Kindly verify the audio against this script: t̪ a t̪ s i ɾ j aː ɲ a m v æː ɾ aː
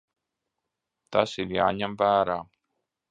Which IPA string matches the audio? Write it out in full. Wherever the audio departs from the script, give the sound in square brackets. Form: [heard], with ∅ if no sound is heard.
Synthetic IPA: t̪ a [∅] s i ɾ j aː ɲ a m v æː ɾ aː